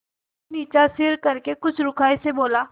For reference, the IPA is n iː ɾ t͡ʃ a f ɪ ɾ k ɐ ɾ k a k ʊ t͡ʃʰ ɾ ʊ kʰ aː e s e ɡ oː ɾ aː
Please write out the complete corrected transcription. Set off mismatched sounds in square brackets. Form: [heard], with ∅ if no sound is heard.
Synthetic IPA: n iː [∅] t͡ʃ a [s] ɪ ɾ k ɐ ɾ k [e] k ʊ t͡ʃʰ ɾ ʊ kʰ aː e s e [b] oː [l] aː